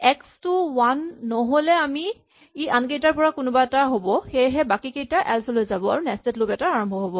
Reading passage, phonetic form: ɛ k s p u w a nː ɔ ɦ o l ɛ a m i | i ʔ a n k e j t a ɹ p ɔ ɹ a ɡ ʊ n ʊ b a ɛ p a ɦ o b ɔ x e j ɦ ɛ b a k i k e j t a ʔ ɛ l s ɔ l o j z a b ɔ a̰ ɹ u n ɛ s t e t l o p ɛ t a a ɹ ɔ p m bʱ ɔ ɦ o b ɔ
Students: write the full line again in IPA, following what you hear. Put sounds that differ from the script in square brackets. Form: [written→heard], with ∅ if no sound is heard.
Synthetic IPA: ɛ k s [p→t] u w a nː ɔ ɦ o l ɛ a m i | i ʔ a n k e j t a ɹ p ɔ ɹ a [ɡ→k] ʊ n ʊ b a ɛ [p→t] a ɦ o b ɔ x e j ɦ ɛ b a k i k e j t a ʔ ɛ l s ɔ l o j z a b ɔ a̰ ɹ u n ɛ s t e t l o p ɛ t a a ɹ ɔ [p→∅] m bʱ ɔ ɦ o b ɔ